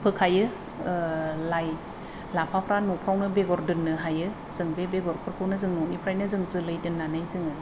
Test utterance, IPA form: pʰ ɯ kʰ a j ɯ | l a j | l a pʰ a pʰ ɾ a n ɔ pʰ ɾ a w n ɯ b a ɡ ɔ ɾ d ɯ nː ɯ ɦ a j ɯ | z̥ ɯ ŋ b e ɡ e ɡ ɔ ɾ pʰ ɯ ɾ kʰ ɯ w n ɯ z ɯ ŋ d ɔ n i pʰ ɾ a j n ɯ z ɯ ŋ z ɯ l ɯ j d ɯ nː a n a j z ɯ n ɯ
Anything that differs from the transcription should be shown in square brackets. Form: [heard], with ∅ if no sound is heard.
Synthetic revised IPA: pʰ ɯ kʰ a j ɯ | l a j | l a pʰ a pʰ ɾ a n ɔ pʰ ɾ a w n ɯ b [e] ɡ ɔ ɾ d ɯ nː ɯ ɦ a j ɯ | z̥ ɯ ŋ b e [b] e ɡ ɔ ɾ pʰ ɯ ɾ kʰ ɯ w n ɯ z ɯ ŋ [n] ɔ n i pʰ ɾ a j n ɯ z ɯ ŋ z ɯ l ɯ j d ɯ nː a n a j z ɯ [ŋ] ɯ